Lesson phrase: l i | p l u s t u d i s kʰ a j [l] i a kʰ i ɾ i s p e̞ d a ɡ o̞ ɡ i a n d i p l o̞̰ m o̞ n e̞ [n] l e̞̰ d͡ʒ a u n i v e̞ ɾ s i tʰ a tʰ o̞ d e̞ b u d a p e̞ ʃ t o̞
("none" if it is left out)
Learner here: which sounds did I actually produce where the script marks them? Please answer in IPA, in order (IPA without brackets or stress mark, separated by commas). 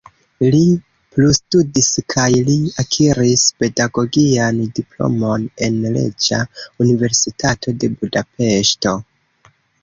l, n